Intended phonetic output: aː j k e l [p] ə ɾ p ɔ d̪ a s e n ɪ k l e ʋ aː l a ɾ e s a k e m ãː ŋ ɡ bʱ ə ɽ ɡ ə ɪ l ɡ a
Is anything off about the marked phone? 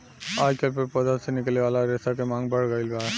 no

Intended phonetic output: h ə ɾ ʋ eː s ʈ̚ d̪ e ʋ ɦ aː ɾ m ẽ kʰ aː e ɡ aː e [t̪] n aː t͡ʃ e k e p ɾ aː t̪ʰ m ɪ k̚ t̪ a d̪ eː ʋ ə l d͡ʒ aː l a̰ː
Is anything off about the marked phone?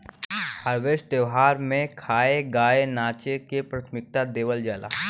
yes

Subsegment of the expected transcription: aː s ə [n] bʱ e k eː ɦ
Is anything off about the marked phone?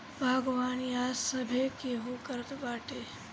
yes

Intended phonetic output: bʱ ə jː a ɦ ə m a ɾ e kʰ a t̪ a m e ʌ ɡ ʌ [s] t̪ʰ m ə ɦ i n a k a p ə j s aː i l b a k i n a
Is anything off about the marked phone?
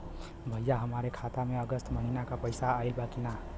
no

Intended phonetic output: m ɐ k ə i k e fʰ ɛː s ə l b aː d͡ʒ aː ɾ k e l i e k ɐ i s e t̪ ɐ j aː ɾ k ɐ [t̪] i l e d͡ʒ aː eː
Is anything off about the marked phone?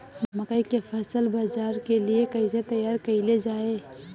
yes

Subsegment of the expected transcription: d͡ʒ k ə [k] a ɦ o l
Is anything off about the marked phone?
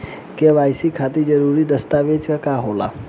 no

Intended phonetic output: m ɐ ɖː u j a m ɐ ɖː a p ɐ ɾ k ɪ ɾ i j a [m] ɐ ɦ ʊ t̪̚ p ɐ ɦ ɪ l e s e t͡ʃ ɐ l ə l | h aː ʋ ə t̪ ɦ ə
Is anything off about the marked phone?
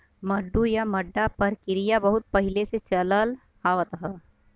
yes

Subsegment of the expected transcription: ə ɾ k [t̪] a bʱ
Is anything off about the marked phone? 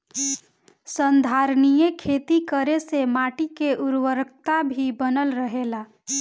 no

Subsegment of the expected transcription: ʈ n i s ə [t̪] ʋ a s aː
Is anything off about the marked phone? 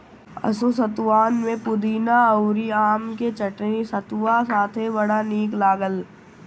no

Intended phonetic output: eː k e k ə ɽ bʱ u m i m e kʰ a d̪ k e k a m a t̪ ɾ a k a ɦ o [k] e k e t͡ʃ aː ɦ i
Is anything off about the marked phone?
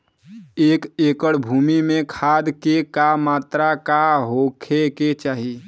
yes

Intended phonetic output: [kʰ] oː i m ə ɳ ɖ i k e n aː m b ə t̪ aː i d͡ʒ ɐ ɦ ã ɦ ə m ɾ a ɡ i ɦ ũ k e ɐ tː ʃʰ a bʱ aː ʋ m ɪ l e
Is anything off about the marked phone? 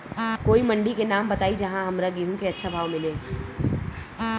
yes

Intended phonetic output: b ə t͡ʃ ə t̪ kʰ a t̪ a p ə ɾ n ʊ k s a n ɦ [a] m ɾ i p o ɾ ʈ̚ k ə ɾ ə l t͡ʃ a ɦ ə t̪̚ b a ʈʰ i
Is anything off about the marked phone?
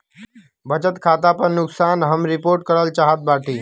yes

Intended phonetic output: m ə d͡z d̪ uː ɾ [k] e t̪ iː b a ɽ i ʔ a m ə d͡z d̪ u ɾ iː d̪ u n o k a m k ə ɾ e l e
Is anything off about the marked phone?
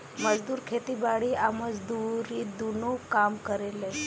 yes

